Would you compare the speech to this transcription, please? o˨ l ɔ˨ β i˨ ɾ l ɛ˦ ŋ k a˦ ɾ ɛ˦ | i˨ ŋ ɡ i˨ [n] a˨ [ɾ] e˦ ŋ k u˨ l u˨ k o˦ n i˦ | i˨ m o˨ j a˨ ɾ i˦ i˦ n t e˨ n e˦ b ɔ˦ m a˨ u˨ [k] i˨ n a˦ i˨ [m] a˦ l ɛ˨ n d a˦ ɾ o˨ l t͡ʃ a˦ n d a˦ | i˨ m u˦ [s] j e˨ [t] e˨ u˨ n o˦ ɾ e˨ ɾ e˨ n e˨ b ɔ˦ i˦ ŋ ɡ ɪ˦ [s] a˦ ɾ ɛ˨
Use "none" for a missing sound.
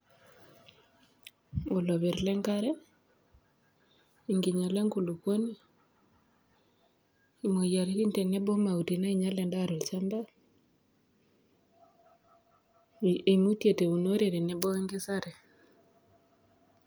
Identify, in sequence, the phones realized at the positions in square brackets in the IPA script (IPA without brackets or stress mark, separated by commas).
ɲ, l, t, ɲ, t, t, s